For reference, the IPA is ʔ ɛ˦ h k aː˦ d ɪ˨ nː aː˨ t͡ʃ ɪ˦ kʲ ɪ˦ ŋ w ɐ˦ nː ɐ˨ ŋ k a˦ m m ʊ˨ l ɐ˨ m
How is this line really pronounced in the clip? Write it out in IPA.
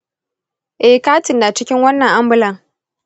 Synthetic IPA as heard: ʔ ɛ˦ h k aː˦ t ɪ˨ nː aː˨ t͡ʃ ɪ˦ kʲ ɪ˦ ŋ w ɐ˦ nː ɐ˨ ŋ ʔ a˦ m b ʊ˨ l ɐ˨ ŋ